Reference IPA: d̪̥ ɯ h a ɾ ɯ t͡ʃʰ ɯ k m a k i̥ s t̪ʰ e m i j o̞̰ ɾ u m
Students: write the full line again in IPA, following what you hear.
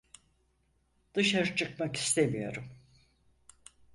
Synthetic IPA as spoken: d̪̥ ɯ ʃ a ɾ ɯ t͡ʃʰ ɯ k m a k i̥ s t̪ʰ e m i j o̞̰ ɾ u m